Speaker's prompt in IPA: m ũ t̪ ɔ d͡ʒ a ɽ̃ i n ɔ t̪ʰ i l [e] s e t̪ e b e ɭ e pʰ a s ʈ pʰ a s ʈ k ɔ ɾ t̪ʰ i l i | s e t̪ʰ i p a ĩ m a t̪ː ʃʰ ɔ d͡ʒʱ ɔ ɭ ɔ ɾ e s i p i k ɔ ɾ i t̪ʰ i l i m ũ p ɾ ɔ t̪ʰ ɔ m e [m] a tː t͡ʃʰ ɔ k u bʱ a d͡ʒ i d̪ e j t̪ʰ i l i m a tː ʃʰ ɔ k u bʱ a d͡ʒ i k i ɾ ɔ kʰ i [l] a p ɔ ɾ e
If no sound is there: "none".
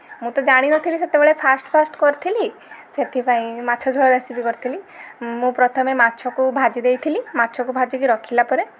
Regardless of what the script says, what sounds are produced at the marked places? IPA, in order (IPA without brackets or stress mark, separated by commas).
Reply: i, m, l